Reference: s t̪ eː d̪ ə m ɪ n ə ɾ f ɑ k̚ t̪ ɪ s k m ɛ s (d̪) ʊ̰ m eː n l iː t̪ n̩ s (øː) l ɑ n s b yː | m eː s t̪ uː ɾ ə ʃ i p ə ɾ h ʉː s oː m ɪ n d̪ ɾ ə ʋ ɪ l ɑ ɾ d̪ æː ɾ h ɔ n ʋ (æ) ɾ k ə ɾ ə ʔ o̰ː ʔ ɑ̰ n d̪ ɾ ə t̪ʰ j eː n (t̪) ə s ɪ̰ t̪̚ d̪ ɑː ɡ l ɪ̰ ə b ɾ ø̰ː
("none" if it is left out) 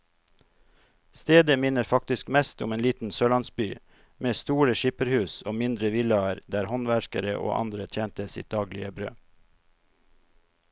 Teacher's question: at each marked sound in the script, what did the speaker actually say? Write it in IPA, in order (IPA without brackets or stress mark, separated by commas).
t̪, øː, æ, t̪